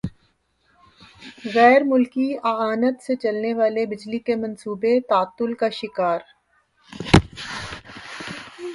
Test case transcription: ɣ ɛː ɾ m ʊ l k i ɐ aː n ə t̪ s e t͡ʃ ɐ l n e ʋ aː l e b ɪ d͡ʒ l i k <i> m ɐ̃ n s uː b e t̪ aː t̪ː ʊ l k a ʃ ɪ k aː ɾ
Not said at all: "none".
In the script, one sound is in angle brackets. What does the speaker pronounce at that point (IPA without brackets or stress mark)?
e